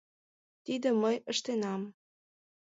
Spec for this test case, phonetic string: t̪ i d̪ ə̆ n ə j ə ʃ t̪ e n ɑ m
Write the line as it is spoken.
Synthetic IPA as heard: t̪ i d̪ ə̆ m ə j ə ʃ t̪ e n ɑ m